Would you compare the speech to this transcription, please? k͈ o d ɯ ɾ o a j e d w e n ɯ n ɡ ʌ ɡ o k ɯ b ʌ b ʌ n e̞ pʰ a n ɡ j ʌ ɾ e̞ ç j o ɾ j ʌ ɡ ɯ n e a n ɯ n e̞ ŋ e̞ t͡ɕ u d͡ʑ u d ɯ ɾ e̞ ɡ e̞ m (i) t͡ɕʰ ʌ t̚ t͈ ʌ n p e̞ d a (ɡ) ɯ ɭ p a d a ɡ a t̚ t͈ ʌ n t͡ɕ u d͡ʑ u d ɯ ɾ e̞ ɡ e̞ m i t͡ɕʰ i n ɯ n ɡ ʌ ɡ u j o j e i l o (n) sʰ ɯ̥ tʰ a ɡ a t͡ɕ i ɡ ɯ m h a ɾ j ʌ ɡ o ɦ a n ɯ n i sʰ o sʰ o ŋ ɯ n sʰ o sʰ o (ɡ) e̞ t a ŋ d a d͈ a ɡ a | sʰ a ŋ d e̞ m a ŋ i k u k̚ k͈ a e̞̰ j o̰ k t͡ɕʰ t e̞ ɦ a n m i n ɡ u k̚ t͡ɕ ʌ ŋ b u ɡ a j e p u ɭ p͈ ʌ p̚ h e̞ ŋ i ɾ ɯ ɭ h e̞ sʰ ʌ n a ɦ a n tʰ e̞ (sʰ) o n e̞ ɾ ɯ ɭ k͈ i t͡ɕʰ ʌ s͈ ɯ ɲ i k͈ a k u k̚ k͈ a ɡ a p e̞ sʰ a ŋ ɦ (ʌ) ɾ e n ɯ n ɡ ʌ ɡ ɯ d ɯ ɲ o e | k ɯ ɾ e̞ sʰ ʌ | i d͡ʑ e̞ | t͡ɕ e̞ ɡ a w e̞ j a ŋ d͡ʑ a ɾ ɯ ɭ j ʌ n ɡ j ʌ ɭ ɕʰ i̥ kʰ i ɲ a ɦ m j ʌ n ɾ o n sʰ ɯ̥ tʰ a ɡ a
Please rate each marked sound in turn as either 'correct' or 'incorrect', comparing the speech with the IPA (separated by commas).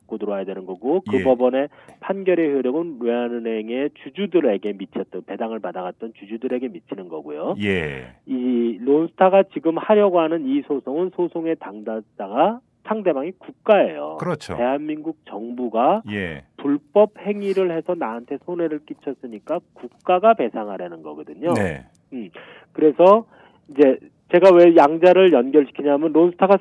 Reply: correct, incorrect, correct, incorrect, correct, incorrect